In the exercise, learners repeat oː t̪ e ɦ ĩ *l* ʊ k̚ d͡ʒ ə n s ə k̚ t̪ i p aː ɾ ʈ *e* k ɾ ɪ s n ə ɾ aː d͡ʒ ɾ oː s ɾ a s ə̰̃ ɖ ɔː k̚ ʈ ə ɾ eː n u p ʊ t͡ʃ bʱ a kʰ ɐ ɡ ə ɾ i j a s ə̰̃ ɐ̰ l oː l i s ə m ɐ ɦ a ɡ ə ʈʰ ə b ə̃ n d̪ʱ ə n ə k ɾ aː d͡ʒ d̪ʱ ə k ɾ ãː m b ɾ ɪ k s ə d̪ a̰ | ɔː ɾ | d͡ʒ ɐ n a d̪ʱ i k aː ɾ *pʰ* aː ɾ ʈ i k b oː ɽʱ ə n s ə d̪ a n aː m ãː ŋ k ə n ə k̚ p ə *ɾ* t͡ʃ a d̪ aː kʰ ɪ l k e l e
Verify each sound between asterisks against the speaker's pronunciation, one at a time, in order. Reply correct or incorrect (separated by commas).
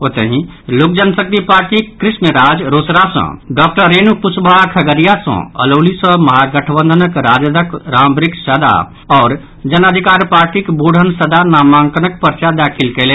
correct, incorrect, incorrect, correct